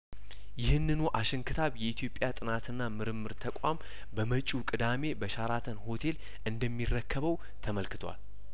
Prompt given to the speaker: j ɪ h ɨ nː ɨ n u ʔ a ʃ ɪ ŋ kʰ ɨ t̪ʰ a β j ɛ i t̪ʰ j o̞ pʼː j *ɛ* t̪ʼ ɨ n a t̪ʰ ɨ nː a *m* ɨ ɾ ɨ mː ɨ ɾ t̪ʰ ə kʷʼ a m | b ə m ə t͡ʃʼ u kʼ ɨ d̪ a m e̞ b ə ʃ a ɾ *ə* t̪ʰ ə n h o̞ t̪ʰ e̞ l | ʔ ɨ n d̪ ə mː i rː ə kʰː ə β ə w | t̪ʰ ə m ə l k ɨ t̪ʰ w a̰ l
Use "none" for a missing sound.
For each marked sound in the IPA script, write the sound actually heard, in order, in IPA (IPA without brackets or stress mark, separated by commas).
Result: a, m, a